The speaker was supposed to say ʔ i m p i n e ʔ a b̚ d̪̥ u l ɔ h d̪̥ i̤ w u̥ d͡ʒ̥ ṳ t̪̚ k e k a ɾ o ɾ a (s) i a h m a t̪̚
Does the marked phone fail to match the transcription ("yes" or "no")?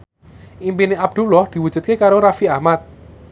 yes